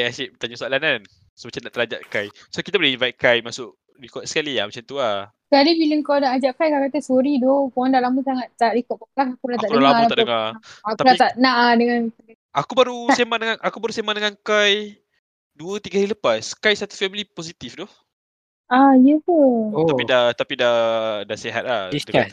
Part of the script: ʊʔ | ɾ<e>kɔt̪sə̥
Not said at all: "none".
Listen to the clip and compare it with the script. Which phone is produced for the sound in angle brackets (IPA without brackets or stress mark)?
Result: i